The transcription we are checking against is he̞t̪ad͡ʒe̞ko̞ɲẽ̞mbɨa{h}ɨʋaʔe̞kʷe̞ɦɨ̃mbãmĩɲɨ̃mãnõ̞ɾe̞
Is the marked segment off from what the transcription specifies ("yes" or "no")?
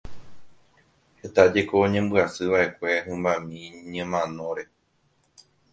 yes